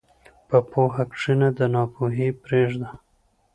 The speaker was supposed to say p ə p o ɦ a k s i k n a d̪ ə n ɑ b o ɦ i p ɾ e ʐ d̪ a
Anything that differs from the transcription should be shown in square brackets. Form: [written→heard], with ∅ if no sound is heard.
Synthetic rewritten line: p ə p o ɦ a k [s→ʂ] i [k→∅] n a d̪ ə n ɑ [b→p] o ɦ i p ɾ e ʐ d̪ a